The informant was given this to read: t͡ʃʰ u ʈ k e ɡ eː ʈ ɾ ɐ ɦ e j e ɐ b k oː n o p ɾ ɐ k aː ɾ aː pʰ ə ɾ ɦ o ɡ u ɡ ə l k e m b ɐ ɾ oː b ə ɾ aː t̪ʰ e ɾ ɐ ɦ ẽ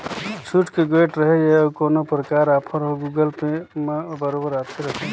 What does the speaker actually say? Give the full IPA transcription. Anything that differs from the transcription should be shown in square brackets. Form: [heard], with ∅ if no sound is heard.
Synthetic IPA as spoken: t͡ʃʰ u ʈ k e ɡ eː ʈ ɾ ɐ ɦ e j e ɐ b k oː n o p ɾ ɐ k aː ɾ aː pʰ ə ɾ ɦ o ɡ u ɡ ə l [p] e m b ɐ ɾ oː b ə ɾ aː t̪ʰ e ɾ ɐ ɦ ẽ